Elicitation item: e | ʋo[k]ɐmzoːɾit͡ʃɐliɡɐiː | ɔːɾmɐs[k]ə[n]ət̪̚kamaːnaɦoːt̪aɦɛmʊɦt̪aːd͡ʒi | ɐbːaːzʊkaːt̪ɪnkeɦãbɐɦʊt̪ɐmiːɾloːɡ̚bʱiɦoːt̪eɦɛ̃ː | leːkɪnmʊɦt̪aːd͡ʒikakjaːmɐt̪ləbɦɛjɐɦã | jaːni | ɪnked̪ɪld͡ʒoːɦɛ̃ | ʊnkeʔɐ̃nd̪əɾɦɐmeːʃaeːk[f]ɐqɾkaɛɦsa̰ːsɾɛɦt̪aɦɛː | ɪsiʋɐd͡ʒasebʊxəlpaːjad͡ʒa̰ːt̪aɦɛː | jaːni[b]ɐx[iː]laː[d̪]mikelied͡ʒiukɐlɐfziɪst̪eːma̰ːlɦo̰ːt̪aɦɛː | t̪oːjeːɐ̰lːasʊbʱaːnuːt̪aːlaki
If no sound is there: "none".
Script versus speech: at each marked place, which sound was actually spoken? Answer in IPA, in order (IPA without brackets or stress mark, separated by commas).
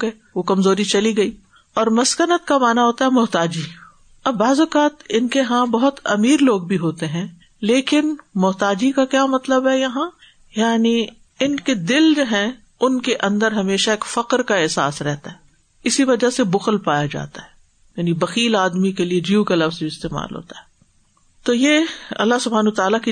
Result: k, k, n, f, b, iː, d̪